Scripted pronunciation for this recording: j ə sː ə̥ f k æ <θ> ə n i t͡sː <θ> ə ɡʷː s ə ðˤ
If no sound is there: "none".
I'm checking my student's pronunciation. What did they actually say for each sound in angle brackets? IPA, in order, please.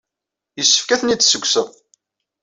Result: θ, s

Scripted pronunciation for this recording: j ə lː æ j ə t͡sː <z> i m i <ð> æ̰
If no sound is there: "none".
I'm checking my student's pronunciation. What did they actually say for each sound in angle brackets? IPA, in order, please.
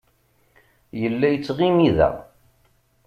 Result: ʁ, ð

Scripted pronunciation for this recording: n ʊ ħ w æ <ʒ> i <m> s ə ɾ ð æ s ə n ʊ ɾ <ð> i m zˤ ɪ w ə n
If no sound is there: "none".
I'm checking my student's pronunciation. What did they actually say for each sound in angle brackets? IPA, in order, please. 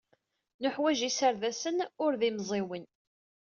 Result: ʒ, none, ð

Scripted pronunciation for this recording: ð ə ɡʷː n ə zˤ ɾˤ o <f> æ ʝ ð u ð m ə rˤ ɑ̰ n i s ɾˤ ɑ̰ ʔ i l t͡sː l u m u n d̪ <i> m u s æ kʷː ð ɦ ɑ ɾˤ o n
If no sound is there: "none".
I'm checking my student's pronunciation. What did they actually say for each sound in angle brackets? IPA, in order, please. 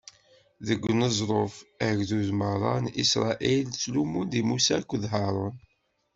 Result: f, i

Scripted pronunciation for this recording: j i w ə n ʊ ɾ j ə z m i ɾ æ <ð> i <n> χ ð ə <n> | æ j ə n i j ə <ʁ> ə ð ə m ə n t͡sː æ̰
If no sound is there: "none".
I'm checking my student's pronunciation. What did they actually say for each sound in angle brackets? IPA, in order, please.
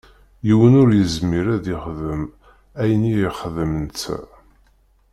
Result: ð, none, m, χ

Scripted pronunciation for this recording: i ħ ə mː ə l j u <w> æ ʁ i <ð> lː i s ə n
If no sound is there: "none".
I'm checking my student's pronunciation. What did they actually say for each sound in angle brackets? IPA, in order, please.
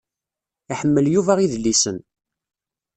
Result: v, ð

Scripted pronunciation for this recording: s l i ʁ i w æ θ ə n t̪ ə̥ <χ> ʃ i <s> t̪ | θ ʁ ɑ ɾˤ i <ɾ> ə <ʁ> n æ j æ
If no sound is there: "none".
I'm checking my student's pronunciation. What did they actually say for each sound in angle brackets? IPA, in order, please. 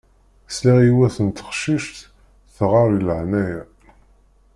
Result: χ, ʃ, l, ʕ

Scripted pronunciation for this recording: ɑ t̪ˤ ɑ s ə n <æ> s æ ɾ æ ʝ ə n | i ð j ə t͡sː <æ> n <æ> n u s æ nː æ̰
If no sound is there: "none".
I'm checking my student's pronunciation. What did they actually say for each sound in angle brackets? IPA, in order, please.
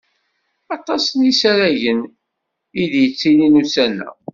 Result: i, i, i

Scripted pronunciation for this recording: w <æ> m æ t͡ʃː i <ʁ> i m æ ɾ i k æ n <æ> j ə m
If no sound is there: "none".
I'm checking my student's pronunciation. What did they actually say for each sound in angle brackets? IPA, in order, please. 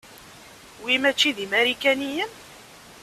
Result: i, ð, i

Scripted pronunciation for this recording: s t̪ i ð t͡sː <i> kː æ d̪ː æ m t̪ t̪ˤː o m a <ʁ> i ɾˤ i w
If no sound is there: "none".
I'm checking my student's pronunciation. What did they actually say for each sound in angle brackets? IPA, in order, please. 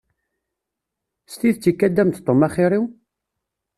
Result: i, χ

